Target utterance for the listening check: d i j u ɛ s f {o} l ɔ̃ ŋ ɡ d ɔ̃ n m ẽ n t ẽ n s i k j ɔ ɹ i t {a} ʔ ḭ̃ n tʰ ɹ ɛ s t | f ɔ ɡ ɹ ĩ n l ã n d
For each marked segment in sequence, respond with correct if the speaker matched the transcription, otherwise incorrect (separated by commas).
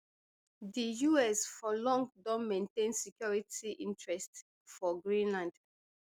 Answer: incorrect, incorrect